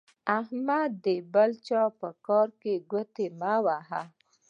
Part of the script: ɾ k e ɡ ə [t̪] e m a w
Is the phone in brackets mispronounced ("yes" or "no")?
no